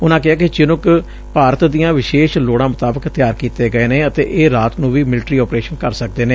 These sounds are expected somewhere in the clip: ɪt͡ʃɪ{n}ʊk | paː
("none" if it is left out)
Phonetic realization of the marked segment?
n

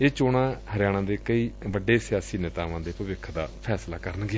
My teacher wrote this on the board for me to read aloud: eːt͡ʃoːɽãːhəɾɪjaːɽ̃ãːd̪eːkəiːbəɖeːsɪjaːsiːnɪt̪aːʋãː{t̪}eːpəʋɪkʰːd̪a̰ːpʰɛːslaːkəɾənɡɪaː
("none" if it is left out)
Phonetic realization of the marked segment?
d̪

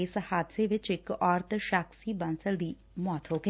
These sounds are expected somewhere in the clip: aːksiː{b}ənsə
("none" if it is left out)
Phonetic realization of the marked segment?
b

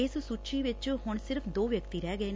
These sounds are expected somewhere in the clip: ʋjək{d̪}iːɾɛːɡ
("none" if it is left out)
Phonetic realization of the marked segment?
t̪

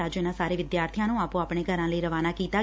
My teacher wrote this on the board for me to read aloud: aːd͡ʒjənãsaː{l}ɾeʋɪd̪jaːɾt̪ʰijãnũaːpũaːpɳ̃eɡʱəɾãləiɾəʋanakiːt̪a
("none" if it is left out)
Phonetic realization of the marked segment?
none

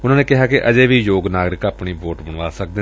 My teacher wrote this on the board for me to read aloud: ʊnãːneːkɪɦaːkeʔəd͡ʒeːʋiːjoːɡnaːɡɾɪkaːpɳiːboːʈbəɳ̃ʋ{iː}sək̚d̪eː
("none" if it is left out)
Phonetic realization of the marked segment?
aː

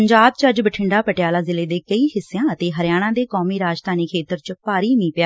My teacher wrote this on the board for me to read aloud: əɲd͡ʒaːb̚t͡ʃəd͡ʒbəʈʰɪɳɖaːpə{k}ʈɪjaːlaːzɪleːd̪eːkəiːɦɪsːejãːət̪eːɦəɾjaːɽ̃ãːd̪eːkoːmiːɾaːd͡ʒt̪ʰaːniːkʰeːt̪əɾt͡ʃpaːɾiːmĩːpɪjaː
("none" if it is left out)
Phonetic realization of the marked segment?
none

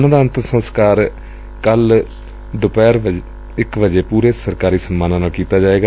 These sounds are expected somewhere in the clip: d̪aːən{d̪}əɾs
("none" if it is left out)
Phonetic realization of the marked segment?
t̪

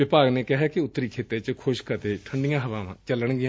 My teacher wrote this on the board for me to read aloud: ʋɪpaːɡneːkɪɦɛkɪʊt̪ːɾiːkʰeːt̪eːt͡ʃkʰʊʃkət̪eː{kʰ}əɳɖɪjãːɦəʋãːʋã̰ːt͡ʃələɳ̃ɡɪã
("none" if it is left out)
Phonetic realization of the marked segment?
ʈʰ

